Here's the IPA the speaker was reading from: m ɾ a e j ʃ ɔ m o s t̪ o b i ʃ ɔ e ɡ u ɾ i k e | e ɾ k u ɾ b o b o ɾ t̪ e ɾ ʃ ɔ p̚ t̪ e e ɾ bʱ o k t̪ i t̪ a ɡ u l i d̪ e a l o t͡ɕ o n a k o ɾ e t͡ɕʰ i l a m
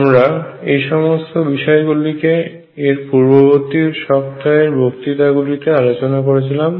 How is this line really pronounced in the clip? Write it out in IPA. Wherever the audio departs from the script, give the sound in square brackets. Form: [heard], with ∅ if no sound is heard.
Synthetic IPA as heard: m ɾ a e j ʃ ɔ m o s t̪ o b i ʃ ɔ e ɡ u [l] i k e | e ɾ [p] u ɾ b o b o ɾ t̪ [i] ɾ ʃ ɔ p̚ t̪ [a] e ɾ bʱ o k t̪ i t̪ a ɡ u l i [t̪] e a l o t͡ɕ o n a k o ɾ e t͡ɕʰ i l a m